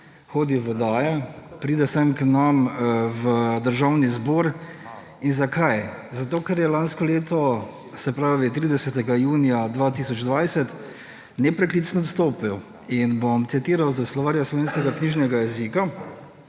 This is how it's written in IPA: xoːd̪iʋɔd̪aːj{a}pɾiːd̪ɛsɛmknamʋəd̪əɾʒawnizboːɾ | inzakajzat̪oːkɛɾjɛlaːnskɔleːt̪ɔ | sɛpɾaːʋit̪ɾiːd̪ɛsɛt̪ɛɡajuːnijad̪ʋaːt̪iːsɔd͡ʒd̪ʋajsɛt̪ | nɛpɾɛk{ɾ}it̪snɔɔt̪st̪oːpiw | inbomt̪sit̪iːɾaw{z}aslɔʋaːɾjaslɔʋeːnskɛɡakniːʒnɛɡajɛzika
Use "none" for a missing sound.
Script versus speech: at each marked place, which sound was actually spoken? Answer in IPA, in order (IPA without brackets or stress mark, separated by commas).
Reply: ɛ, l, z